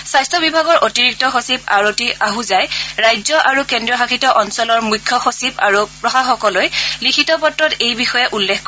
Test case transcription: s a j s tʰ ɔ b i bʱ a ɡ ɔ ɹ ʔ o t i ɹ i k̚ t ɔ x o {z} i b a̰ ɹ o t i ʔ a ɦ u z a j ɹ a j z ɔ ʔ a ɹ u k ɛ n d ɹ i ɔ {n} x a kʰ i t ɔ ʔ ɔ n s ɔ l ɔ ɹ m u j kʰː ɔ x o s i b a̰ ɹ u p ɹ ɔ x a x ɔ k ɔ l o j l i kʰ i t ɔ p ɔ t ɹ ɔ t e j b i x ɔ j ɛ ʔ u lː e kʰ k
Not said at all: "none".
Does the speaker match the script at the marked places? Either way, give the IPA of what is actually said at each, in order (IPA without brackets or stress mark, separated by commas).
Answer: s, none